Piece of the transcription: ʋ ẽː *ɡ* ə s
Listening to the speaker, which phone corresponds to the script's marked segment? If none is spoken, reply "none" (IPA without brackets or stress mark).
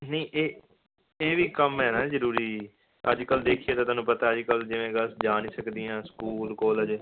ɡ